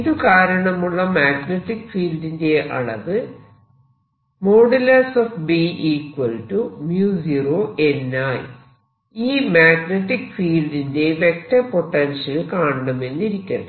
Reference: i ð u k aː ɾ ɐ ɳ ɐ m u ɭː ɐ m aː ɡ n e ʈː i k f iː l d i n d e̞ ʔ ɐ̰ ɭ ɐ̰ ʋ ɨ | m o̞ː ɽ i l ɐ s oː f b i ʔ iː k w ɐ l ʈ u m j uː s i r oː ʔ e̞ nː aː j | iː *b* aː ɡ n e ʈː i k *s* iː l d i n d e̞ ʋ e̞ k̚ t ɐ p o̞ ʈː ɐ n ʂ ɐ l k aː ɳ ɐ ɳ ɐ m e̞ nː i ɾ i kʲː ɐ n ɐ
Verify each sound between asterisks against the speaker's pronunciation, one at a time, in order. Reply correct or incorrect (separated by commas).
incorrect, incorrect